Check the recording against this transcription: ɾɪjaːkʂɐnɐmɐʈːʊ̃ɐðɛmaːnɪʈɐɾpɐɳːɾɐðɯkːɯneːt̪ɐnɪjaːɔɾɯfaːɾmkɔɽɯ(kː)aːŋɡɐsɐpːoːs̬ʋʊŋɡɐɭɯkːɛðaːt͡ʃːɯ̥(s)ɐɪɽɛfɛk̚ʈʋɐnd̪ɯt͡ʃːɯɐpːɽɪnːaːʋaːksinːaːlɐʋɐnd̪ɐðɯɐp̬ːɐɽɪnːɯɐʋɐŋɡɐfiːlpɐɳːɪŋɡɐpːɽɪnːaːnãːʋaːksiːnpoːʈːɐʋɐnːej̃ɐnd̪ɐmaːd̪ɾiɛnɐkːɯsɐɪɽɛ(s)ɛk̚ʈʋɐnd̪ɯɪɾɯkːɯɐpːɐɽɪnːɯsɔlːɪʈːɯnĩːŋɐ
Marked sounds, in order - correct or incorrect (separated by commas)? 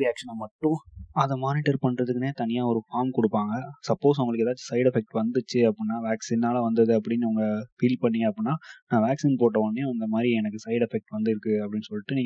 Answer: incorrect, correct, incorrect